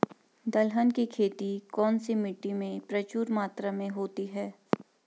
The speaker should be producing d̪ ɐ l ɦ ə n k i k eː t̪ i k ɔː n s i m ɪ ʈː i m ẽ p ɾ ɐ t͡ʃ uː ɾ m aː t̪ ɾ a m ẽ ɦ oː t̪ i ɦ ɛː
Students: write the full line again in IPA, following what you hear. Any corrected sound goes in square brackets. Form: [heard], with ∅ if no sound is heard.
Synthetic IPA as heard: d̪ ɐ l ɦ ə n k i [kʰ] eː t̪ i k ɔː n s i m ɪ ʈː i m ẽ p ɾ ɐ t͡ʃ uː ɾ m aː t̪ ɾ a m ẽ ɦ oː t̪ i ɦ ɛː